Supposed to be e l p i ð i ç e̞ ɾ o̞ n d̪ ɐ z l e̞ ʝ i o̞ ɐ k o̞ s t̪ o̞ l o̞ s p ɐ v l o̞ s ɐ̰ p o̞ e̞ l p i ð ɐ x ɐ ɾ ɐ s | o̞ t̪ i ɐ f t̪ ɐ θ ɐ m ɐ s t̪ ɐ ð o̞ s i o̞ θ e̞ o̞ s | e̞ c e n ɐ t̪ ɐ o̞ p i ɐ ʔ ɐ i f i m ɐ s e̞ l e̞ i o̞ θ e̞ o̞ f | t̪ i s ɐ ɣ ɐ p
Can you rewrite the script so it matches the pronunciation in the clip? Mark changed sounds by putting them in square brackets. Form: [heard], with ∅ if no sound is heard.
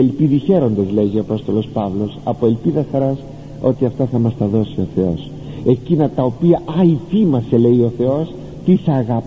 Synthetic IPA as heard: e l p i ð i ç e̞ ɾ o̞ n d̪ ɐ z l e̞ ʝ i o̞ ɐ [p] o̞ s t̪ o̞ l o̞ s p ɐ v l o̞ s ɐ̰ p o̞ e̞ l p i ð ɐ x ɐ ɾ ɐ s | o̞ t̪ i ɐ f t̪ ɐ θ ɐ m ɐ s t̪ ɐ ð o̞ s i o̞ θ e̞ o̞ s | e̞ c [i] n ɐ t̪ ɐ o̞ p i ɐ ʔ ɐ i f i m ɐ s e̞ l e̞ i o̞ θ e̞ o̞ [s] | t̪ i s ɐ ɣ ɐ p